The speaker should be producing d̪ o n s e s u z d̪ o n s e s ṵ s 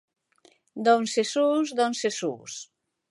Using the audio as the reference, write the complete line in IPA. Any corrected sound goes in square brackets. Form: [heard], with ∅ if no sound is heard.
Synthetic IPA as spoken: d̪ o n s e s u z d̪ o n s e s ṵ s